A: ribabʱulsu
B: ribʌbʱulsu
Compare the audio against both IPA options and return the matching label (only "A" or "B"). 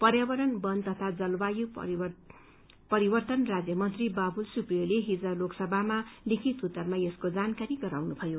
A